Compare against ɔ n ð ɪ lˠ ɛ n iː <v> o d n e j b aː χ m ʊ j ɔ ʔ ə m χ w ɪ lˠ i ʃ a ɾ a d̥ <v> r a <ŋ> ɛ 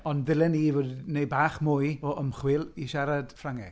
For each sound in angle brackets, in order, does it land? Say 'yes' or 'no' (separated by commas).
yes, no, yes